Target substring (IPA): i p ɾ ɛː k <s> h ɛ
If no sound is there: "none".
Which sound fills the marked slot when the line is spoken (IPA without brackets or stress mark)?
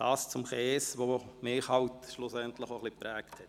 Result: t